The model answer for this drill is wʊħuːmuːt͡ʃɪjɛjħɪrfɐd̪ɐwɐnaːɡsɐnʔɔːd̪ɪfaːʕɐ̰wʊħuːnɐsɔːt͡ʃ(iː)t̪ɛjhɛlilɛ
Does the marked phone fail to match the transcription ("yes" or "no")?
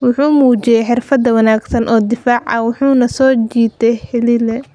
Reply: no